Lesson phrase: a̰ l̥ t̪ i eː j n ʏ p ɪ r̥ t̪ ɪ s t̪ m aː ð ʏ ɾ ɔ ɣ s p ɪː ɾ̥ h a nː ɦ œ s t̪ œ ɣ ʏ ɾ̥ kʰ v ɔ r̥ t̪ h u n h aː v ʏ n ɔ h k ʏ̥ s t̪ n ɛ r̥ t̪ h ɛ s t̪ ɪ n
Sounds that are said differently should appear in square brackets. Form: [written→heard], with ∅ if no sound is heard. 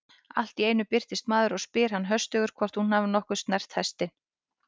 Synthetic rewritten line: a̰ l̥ t̪ i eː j n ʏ p ɪ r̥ t̪ ɪ s t̪ m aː ð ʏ ɾ ɔ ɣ s p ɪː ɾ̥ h a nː ɦ œ s t̪ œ ɣ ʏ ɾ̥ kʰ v ɔ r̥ t̪ h u n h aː v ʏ n ɔ h k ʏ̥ s t̪ n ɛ r̥ t̪ h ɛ s t̪ ɪ n